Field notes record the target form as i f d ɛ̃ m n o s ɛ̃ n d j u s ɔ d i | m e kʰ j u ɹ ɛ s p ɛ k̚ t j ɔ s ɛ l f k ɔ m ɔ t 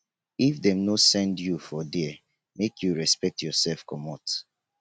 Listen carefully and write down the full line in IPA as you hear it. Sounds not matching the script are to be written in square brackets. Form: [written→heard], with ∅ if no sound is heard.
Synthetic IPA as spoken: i f d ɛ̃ m n o s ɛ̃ n d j u [s→f] ɔ d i | m e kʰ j u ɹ ɛ s p ɛ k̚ t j ɔ s ɛ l f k ɔ m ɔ t